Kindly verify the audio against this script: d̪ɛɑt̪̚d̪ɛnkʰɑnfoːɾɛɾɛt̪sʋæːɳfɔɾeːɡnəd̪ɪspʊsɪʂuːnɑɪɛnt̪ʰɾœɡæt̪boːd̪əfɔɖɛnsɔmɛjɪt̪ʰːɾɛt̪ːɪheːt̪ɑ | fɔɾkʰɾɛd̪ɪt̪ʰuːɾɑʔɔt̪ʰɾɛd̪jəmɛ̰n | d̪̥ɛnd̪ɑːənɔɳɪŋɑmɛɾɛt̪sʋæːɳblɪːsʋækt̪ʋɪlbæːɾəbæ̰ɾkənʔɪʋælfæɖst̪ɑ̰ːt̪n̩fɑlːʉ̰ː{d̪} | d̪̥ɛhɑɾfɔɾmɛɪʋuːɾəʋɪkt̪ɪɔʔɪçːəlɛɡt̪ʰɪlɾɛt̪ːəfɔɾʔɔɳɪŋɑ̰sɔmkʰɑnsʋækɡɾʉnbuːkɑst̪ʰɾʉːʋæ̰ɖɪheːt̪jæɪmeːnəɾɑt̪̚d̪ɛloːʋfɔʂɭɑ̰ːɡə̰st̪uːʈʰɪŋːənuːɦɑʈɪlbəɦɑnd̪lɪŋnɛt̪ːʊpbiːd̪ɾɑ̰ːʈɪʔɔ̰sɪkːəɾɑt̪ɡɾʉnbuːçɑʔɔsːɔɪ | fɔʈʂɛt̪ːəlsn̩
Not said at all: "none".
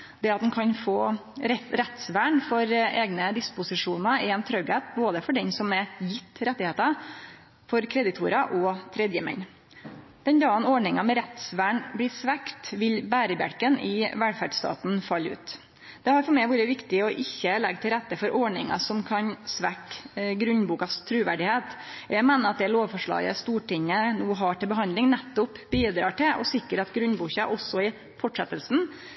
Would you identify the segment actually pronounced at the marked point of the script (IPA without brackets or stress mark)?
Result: t̪